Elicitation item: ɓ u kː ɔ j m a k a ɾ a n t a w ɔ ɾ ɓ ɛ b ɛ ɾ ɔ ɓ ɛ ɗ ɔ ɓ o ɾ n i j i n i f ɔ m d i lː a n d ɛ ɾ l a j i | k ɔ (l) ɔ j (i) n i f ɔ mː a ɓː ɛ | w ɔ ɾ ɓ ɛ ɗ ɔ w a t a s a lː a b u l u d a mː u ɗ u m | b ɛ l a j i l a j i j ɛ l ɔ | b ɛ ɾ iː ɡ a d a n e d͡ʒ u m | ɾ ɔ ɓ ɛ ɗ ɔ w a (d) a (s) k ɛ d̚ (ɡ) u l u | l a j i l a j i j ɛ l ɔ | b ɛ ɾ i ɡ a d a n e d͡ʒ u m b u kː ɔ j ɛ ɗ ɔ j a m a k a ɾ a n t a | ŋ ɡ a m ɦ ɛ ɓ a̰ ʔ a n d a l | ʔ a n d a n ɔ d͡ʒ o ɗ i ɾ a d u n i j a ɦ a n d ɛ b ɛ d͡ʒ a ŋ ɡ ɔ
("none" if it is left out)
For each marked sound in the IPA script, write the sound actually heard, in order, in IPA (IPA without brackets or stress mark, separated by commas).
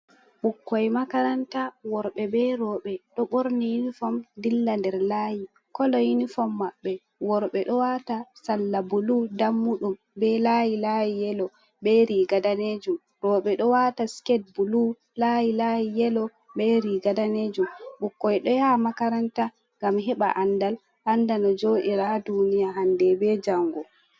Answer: l, i, t, s, b